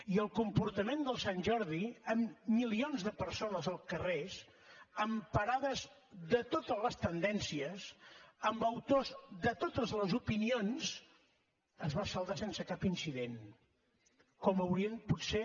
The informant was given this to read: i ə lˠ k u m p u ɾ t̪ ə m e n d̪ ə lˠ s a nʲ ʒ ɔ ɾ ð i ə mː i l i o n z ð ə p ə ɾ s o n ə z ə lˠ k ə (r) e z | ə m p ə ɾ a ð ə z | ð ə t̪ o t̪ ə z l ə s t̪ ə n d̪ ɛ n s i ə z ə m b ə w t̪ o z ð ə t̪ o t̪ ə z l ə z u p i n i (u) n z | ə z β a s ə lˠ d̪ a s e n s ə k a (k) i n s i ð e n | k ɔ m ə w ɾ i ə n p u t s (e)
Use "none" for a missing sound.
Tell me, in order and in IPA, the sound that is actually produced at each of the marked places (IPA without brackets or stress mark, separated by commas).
r, o, p, e